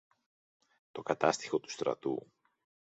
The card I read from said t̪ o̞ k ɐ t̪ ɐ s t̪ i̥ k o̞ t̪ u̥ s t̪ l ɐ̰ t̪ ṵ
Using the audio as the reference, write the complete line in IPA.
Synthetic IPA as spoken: t̪ o̞ k ɐ t̪ ɐ s t̪ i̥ x o̞ t̪ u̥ s t̪ ɾ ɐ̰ t̪ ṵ